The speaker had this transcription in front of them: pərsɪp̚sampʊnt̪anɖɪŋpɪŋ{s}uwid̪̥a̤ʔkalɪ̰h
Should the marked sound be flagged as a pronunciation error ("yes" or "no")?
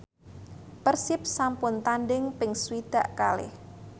no